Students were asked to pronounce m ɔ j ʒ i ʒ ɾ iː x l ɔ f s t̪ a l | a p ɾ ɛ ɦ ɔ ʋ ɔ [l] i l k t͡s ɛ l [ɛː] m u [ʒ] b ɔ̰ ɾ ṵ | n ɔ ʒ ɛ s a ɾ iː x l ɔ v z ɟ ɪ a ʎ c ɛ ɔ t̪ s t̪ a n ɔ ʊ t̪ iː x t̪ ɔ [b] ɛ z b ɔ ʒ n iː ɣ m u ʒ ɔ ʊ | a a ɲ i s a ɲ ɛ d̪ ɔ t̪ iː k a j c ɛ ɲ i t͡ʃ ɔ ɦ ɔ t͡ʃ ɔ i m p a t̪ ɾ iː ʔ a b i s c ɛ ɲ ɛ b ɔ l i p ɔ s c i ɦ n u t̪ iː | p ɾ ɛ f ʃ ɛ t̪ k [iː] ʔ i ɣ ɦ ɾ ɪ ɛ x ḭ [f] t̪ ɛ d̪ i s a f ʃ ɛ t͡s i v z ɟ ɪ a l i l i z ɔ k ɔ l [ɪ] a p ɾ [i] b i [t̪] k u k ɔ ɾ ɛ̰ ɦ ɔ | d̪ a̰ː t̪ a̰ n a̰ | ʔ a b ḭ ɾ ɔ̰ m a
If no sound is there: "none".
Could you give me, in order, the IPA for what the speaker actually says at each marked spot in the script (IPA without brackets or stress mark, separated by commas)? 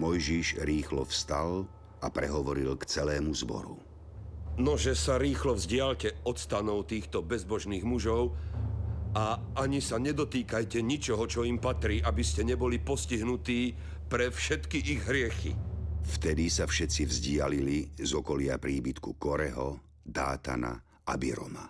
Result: ɾ, ɛː, z, b, i, f, ɪ, iː, t̪